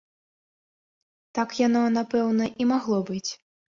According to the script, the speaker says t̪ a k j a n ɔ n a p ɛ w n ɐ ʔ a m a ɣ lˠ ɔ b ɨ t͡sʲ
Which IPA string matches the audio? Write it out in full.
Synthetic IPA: t̪ a k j a n ɔ n a p ɛ w n ɐ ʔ i m a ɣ lˠ ɔ b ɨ t͡sʲ